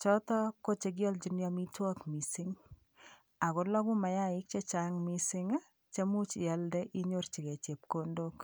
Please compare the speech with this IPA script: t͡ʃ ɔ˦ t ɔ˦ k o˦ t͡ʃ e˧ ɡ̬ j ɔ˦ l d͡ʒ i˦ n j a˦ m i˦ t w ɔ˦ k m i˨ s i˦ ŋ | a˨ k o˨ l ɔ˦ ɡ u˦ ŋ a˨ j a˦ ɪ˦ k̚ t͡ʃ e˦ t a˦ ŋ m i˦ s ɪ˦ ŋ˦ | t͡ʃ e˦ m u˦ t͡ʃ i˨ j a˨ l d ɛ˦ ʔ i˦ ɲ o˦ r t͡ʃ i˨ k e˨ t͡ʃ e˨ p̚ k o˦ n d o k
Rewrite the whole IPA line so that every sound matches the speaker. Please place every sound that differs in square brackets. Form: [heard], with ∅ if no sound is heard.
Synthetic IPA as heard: t͡ʃ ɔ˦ t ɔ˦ k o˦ t͡ʃ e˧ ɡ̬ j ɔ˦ l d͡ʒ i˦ n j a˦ m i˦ t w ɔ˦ k m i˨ s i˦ ŋ | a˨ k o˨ l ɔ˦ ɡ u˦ [m] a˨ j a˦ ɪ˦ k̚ t͡ʃ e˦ [t͡ʃ] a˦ ŋ m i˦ s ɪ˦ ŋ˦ | t͡ʃ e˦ m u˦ t͡ʃ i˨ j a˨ l d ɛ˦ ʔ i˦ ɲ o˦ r t͡ʃ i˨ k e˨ t͡ʃ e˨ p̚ k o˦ n d o k

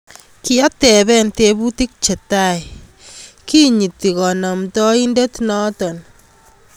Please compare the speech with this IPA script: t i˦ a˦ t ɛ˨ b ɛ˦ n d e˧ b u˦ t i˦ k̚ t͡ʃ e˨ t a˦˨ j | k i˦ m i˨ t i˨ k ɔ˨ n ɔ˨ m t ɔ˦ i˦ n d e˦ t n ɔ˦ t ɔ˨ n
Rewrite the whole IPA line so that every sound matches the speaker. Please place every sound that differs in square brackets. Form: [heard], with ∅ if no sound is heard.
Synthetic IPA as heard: [k] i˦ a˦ t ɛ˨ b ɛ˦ n [t] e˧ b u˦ t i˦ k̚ t͡ʃ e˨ t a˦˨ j | k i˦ [ɲ] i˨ t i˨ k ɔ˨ n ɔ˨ m t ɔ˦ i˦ n d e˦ t n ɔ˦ t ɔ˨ n

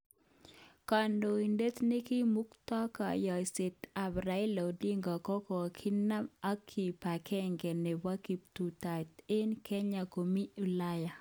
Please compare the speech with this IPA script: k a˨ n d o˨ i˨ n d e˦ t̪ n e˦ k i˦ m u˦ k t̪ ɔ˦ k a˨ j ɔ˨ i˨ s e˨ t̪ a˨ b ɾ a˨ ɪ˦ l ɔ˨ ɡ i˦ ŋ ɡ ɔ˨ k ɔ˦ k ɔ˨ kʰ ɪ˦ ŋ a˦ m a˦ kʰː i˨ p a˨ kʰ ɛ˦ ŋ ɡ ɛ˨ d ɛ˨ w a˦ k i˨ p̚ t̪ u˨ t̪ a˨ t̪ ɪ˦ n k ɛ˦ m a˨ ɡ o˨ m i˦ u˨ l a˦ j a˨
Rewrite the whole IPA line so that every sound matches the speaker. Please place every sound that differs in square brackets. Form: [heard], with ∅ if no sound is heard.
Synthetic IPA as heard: k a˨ n d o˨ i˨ n d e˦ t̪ n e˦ k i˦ m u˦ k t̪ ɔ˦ k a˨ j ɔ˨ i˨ s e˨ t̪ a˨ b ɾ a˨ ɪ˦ l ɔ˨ [d] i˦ ŋ ɡ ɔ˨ k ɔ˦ k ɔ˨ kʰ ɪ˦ [n] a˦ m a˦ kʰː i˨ p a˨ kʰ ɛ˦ ŋ ɡ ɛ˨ [n] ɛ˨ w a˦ k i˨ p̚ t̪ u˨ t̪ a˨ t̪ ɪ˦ n k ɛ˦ [ɲ] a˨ [k] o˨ m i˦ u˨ l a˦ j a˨

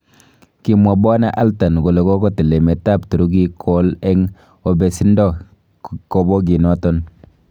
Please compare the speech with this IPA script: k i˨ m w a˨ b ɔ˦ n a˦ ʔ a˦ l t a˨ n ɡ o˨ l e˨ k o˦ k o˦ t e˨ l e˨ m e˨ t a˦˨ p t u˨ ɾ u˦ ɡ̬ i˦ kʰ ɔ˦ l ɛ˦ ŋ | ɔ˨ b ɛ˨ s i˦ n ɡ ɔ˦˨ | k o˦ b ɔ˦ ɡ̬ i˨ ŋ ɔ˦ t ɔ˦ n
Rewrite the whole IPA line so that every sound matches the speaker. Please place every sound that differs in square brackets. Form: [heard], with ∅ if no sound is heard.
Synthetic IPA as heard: k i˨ m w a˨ b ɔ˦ n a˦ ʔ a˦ l t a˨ n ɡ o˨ l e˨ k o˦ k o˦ t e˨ l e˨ m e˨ t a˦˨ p t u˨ ɾ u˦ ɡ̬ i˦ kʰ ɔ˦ l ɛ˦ ŋ | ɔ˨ b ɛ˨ s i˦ n [d] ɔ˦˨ | k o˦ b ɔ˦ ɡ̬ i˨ [n] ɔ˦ t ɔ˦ n

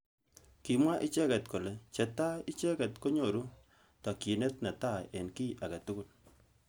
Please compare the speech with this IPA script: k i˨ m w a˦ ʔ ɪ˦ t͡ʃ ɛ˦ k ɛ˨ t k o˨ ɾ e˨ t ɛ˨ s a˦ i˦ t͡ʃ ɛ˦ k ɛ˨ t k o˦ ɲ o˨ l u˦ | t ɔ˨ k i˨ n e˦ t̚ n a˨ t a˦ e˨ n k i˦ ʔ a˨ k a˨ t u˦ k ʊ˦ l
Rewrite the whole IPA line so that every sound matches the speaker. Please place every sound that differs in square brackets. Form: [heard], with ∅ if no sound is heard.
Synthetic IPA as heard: k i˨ m w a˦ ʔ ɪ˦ t͡ʃ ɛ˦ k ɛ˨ t k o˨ [l] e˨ [t͡ʃ] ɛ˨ [t] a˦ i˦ t͡ʃ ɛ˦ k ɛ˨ t k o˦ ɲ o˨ [ɾ] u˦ | t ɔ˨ k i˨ n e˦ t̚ n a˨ t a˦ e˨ n k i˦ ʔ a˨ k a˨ t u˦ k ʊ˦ l

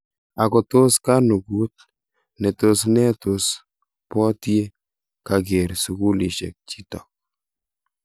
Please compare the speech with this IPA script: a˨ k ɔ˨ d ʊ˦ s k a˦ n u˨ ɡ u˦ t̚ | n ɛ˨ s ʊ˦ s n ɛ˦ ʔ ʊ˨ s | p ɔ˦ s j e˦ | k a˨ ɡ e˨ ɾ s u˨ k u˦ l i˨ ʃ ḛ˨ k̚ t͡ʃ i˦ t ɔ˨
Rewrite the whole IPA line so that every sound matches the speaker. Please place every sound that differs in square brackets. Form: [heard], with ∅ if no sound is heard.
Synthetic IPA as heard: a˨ k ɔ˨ [t] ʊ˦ s k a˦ n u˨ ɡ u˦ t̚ | n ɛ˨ [t] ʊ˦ s n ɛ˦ [t] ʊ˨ s | p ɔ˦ [t] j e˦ | k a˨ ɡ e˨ ɾ s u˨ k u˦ l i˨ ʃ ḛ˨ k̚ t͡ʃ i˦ t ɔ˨

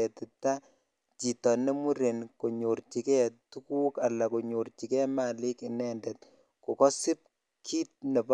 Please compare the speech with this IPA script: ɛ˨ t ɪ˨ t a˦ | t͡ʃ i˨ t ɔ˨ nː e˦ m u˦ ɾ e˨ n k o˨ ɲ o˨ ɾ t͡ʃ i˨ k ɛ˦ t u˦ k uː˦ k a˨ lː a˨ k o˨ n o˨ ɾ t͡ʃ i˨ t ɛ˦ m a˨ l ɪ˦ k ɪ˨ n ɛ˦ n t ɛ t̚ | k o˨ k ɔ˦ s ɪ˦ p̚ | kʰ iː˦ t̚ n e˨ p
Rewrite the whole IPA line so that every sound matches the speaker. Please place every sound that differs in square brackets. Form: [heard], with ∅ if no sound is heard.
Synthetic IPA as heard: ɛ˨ t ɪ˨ t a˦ | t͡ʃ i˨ t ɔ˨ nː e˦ m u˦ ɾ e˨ n k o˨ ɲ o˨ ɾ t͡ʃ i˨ k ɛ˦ t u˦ k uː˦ k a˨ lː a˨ k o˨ [ɲ] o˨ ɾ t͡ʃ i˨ [k] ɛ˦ m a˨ l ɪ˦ k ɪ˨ n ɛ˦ n [d] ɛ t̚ | k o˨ k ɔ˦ s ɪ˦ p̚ | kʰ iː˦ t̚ n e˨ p

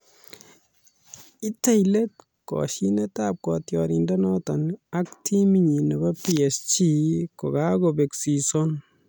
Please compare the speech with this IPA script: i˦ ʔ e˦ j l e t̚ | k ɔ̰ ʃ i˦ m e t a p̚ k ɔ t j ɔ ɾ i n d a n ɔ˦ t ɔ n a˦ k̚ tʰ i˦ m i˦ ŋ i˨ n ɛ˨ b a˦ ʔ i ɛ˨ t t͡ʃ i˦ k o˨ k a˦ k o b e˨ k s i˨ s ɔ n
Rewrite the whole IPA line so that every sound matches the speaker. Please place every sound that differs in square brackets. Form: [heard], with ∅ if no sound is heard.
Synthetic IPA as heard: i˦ [t] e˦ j l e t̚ | k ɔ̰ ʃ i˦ [n] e t a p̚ k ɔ t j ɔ ɾ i n d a n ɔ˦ t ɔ n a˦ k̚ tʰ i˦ m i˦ [ɲ] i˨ n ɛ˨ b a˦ [p] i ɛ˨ [s] t͡ʃ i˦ k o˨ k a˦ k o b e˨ k s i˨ s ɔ n

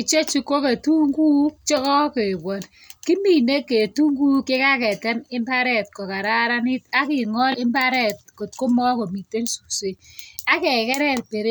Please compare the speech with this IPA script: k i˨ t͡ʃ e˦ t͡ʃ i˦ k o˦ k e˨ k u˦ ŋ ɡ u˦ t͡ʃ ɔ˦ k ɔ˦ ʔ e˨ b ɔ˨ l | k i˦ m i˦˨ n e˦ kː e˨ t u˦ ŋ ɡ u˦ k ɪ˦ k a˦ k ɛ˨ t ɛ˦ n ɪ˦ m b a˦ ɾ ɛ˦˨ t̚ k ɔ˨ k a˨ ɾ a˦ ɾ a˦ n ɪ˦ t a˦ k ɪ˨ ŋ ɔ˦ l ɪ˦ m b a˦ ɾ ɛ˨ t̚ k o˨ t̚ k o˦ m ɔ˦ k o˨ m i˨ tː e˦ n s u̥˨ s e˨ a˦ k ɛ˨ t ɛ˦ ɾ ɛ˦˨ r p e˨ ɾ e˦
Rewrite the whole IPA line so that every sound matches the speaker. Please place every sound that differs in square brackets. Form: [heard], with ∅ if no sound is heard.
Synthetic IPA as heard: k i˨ t͡ʃ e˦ t͡ʃ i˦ k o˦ k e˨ [t] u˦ ŋ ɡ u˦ t͡ʃ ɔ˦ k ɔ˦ [k] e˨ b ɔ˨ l | k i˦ m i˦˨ n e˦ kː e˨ t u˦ ŋ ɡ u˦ k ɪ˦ k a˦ k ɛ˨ t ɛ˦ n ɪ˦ m b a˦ ɾ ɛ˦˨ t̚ k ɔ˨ k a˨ ɾ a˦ ɾ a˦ n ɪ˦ t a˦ k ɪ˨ ŋ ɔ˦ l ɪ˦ m b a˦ ɾ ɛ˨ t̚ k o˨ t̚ k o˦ m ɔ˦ k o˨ m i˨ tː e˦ n s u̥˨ s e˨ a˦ k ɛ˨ [k] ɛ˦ ɾ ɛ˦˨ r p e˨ ɾ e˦

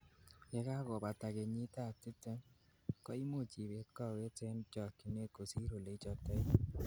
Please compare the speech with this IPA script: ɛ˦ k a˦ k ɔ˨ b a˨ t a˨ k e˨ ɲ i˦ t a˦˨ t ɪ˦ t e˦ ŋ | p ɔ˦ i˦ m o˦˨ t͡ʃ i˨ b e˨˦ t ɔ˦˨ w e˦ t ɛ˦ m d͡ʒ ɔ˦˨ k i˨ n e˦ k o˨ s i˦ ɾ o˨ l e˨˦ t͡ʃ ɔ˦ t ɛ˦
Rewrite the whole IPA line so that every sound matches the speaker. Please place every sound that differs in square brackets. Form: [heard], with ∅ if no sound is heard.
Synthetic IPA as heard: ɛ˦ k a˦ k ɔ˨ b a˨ t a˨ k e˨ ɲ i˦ t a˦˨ t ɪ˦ t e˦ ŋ | [k] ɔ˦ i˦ m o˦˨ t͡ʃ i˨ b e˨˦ [k] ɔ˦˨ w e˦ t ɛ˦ [n] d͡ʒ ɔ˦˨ k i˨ n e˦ k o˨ s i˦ ɾ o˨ l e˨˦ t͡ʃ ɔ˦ t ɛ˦

